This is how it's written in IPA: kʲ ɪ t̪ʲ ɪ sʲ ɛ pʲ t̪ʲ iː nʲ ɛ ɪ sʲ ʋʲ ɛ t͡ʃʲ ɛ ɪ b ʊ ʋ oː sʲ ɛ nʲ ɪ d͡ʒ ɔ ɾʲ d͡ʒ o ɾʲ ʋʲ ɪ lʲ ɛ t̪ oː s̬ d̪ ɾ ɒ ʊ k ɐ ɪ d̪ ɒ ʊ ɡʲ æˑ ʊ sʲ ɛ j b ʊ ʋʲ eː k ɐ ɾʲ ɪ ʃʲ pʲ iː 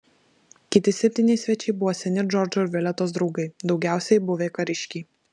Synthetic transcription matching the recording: kʲ ɪ t̪ʲ ɪ sʲ ɛ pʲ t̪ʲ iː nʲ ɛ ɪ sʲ ʋʲ ɛ t͡ʃʲ ɛ ɪ b ʊ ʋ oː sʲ ɛ nʲ ɪ d͡ʒ ɔ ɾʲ d͡ʒ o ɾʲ ʋʲ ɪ lʲ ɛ t̪ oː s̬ d̪ ɾ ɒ ʊ ɡ ɐ ɪ d̪ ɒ ʊ ɡʲ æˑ ʊ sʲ ɛ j b ʊ ʋʲ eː k ɐ ɾʲ ɪ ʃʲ kʲ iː